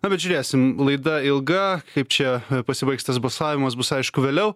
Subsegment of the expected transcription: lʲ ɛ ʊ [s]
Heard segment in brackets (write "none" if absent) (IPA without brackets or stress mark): none